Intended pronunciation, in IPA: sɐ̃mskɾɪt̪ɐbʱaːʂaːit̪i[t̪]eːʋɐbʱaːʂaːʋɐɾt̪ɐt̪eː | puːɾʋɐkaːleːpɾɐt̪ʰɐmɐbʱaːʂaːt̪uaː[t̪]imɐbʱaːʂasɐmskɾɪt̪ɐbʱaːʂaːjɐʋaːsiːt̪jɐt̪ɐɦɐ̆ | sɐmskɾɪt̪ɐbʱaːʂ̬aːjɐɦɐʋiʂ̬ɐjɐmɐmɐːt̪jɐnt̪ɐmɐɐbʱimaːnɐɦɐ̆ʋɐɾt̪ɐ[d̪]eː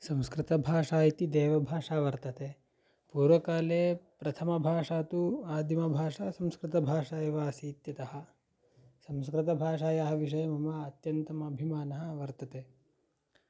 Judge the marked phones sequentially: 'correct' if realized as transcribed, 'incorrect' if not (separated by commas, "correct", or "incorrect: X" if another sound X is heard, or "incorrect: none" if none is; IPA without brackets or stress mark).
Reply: incorrect: d̪, incorrect: d̪, incorrect: t̪